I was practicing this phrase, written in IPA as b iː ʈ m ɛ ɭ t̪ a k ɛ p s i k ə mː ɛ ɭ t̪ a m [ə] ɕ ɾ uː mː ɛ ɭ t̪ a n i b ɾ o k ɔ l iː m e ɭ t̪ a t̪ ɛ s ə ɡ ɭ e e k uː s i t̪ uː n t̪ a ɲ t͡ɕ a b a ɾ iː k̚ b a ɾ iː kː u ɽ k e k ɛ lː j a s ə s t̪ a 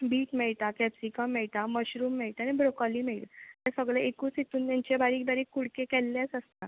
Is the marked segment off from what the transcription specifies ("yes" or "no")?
no